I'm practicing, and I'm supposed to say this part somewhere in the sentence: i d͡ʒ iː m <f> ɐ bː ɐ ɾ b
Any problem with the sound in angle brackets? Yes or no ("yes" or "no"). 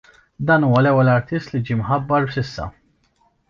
yes